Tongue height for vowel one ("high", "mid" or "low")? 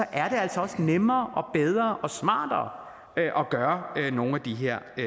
low